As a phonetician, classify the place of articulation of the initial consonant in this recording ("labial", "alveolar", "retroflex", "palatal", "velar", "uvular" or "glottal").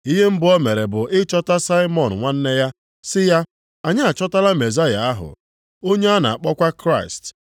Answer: glottal